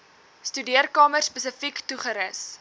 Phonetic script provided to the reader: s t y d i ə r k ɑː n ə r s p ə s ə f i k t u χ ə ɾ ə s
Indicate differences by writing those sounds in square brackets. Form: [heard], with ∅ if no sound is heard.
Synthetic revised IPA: s t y d i ə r k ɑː [m] ə r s p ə s ə f i k t u χ ə ɾ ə s